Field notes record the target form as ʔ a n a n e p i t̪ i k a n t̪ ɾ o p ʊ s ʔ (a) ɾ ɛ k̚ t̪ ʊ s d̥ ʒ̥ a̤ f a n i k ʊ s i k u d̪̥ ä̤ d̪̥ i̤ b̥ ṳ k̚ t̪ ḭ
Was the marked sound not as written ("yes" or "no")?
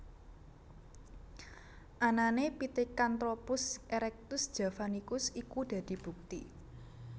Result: yes